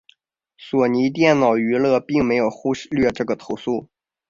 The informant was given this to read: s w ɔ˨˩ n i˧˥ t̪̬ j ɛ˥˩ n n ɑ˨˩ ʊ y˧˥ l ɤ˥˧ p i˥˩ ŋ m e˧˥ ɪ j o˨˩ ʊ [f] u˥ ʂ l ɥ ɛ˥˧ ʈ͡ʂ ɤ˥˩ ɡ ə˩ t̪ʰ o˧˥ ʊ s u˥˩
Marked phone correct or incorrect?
incorrect